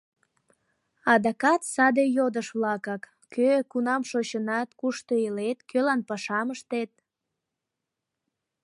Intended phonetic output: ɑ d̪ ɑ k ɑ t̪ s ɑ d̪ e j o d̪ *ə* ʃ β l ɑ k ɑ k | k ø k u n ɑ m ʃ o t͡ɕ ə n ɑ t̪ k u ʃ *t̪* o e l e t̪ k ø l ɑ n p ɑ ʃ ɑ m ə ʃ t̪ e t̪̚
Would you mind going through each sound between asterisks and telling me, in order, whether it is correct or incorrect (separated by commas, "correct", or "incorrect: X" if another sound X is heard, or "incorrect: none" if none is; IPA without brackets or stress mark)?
correct, correct